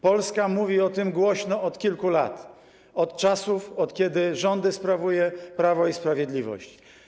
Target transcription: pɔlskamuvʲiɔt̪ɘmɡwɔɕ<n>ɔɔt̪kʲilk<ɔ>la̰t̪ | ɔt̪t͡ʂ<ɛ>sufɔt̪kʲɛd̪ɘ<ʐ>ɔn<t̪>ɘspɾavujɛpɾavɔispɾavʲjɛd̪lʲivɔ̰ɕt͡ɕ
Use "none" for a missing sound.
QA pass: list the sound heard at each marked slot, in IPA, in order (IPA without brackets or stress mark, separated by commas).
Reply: n, u, a, ʐ, d̪